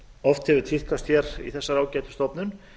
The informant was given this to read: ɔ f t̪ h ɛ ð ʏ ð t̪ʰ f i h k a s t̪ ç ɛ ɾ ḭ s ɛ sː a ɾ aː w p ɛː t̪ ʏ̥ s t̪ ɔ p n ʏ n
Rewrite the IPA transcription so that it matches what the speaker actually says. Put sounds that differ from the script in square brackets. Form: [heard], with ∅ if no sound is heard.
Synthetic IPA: ɔ f t̪ h ɛ [v] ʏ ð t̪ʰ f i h k a s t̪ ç ɛ ɾ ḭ [θ] ɛ sː a ɾ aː w [c] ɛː t̪ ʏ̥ s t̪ ɔ p n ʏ n